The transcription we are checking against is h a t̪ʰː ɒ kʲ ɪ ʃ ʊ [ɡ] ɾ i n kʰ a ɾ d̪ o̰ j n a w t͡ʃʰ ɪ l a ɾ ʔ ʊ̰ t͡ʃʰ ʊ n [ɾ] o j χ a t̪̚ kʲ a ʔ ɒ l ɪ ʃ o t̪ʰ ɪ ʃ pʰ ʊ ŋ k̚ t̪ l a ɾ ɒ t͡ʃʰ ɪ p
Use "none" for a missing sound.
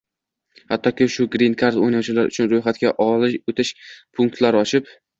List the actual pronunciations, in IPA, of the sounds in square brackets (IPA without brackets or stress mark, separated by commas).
ɡ, ɾ